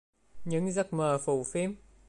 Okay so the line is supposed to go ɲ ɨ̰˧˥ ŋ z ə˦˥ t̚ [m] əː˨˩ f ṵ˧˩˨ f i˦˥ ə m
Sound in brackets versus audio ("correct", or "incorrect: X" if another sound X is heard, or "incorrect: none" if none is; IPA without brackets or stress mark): correct